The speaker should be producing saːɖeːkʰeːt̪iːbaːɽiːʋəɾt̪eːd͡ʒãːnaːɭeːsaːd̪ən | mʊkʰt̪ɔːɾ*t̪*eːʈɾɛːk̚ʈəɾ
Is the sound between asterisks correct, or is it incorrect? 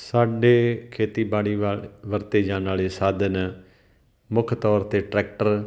correct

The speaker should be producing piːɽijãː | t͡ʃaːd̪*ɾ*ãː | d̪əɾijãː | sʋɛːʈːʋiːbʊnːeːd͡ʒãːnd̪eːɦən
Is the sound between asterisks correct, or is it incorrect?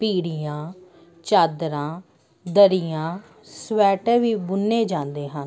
correct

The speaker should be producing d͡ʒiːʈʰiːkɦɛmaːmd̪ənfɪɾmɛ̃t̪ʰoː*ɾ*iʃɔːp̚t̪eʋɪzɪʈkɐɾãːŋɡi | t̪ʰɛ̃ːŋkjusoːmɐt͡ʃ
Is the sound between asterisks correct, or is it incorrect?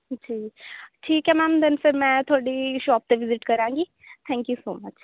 incorrect: ɽ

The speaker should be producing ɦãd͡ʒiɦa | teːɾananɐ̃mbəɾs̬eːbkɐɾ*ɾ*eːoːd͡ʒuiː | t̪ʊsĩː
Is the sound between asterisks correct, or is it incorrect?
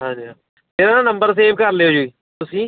incorrect: l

